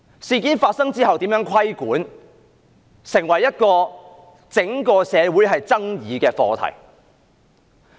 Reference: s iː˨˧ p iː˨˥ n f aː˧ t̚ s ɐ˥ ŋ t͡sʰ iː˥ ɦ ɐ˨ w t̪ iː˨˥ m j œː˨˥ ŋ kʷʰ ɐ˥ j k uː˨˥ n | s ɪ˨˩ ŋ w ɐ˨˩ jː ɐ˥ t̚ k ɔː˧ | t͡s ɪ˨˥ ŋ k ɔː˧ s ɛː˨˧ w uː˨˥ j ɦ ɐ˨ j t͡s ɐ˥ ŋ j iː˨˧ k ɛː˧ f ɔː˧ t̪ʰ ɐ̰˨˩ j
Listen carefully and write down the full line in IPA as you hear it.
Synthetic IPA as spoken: s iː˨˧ k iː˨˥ n f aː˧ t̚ s ɐ˥ ŋ t͡s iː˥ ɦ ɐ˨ w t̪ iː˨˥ m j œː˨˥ ŋ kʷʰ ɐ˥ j k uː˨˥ n | s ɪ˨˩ ŋ w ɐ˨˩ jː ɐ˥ t̚ k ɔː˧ | t͡s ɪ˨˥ ŋ k ɔː˧ s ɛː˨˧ w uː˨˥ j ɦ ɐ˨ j t͡s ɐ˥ ŋ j iː˨˧ k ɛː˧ f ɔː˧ t̪ʰ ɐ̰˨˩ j